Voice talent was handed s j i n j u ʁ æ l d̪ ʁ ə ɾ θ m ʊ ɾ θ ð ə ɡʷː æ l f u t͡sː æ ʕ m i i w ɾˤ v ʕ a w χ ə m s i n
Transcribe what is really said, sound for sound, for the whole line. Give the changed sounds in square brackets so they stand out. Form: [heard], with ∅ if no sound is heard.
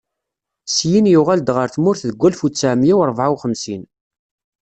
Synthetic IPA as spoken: s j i n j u ʁ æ l d̪ ʁ ə ɾ θ m ʊ ɾ θ ð ə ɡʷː æ l f u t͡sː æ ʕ m [j] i w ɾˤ v ʕ a w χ ə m s i n